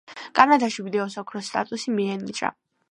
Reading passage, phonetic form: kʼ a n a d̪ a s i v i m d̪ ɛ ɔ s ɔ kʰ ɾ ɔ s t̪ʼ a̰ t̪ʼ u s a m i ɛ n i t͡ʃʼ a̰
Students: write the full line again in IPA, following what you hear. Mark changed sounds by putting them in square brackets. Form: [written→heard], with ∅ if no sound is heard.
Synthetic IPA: kʼ a n a d̪ a [s→ʃ] i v i [m→∅] d̪ ɛ ɔ s ɔ kʰ ɾ ɔ s t̪ʼ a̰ t̪ʼ u s [a→i] m i ɛ n i t͡ʃʼ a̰

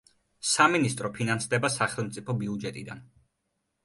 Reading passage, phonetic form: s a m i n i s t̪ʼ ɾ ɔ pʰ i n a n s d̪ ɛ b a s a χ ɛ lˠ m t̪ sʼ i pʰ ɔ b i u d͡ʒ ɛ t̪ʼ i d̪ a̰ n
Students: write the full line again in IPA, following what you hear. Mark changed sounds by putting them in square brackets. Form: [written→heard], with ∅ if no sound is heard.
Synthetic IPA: s a m i n i s t̪ʼ ɾ ɔ pʰ i n a n s d̪ ɛ b a s a χ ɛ lˠ m t̪ sʼ i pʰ ɔ b i u d͡ʒ ɛ t̪ʼ i d̪ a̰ n

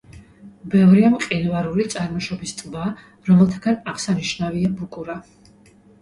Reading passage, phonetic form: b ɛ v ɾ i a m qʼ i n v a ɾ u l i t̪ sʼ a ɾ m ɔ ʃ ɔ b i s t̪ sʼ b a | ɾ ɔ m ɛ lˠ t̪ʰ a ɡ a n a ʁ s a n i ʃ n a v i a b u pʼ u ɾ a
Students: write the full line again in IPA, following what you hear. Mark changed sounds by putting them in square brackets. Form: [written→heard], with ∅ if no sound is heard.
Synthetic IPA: b ɛ v ɾ i a m qʼ i n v a ɾ u l i t̪ sʼ a ɾ m ɔ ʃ ɔ b i s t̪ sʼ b a | ɾ ɔ m ɛ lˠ t̪ʰ a ɡ a n a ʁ s a n i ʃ n a v i a b u [pʼ→kʼ] u ɾ a

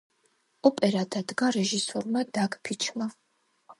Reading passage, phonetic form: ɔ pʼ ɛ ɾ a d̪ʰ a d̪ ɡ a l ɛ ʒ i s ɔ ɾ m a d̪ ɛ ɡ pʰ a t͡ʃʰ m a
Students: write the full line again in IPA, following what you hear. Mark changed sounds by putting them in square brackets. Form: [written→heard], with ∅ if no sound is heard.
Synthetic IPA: ɔ pʼ ɛ ɾ a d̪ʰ a d̪ ɡ a [l→ɾ] ɛ ʒ i s ɔ ɾ m a d̪ [ɛ→a] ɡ pʰ [a→i] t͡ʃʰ m a

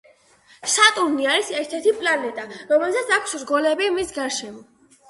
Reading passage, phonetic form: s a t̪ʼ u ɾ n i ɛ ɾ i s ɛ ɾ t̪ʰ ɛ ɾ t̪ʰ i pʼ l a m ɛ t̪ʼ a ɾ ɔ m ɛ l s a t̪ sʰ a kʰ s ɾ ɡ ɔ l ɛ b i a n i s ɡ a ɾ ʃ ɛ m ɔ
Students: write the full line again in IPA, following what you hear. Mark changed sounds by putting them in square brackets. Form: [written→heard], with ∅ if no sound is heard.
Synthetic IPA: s a t̪ʼ u ɾ n i [ɛ→a] ɾ i s ɛ ɾ t̪ʰ ɛ ɾ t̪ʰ i pʼ l a [m→n] ɛ t̪ʼ a ɾ ɔ m ɛ l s a t̪ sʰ a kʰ s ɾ ɡ ɔ l ɛ b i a [n→m] i s ɡ a ɾ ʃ ɛ m ɔ

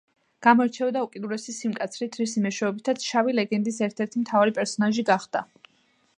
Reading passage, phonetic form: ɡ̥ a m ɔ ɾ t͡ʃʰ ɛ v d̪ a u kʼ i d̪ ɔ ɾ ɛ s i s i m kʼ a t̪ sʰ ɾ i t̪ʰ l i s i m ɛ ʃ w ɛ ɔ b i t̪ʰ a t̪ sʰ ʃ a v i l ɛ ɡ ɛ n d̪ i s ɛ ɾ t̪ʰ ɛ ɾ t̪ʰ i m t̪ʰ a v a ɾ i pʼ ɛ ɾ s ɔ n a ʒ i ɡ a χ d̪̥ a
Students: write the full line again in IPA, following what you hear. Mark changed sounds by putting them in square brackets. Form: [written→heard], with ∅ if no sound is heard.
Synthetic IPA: ɡ̥ a m ɔ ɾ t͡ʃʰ ɛ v d̪ a u kʼ i d̪ [ɔ→u] ɾ ɛ s i s i m kʼ a t̪ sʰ ɾ i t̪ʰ [l→ɾ] i s i m ɛ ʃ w ɛ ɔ b i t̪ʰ a t̪ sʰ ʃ a v i l ɛ ɡ ɛ n d̪ i s ɛ ɾ t̪ʰ ɛ ɾ t̪ʰ i m t̪ʰ a v a ɾ i pʼ ɛ ɾ s ɔ n a ʒ i ɡ a χ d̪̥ a

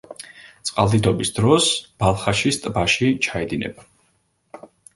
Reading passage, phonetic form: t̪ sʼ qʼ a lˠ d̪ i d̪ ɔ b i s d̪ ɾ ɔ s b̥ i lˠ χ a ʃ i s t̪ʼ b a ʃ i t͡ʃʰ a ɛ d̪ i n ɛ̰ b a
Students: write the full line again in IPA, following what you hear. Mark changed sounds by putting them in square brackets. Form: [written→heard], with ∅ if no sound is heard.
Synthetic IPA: t̪ sʼ qʼ a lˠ d̪ i d̪ ɔ b i s d̪ ɾ ɔ s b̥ [i→a] lˠ χ a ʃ i s t̪ʼ b a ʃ i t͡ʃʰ a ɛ d̪ i n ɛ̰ b a

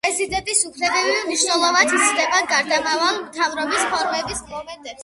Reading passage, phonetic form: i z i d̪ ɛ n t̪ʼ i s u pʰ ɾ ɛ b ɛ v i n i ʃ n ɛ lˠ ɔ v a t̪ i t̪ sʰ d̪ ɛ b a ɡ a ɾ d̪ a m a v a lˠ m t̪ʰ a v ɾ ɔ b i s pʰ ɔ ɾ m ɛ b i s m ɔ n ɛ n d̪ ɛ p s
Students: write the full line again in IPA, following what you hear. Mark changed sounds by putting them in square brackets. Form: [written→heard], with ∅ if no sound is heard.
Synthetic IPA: [i→ɛ] z i d̪ ɛ n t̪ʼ i s u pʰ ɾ ɛ b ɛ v i n i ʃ n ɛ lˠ ɔ v a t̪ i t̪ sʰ d̪ ɛ b a ɡ a ɾ d̪ a m a v a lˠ m t̪ʰ a v ɾ ɔ b i s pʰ ɔ ɾ m ɛ b i s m ɔ [n→m] ɛ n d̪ ɛ p s

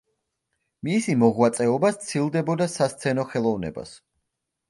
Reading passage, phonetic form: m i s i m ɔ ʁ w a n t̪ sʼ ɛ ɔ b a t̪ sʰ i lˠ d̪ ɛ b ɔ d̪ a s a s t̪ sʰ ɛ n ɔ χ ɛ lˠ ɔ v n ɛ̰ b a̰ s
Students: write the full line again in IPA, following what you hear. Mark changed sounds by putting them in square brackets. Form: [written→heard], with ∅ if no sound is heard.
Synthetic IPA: m i s i m ɔ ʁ w a [n→∅] t̪ sʼ ɛ ɔ b a t̪ sʰ i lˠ d̪ ɛ b ɔ d̪ a s a s t̪ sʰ ɛ n ɔ χ ɛ lˠ ɔ v n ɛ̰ b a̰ s

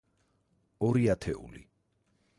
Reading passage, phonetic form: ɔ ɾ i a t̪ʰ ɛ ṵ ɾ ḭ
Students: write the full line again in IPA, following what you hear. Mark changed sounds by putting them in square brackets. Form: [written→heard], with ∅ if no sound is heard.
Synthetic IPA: ɔ ɾ i a t̪ʰ ɛ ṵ [ɾ→l] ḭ

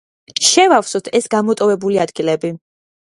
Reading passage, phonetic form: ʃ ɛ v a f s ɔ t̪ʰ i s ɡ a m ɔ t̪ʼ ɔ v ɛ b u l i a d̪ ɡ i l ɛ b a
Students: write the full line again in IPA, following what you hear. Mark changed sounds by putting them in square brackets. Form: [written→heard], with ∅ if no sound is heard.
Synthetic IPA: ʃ ɛ v a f s ɔ t̪ʰ [i→ɛ] s ɡ a m ɔ t̪ʼ ɔ v ɛ b u l i a d̪ ɡ i l ɛ b [a→i]

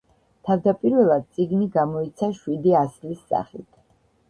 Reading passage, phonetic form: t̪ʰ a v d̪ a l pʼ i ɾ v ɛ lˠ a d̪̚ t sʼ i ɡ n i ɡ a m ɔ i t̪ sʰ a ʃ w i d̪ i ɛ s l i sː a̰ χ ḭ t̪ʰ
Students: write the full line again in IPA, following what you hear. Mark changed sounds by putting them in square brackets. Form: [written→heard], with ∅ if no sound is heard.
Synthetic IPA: t̪ʰ a v d̪ a [l→∅] pʼ i ɾ v ɛ lˠ a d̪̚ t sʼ i ɡ n i ɡ a m ɔ i t̪ sʰ a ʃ w i d̪ i [ɛ→a] s l i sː a̰ χ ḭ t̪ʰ

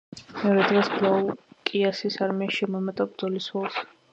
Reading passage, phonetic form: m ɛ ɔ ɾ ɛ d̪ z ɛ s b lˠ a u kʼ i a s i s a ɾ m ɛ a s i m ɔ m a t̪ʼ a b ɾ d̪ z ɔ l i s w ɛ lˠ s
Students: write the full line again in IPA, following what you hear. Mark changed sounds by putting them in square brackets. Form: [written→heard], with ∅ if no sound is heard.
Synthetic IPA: m ɛ ɔ ɾ ɛ d̪ [z→ʁ] ɛ s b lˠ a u kʼ i a s i s a ɾ m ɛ a [s→ʃ] i m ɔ m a t̪ʼ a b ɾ d̪ z ɔ l i s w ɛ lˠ s

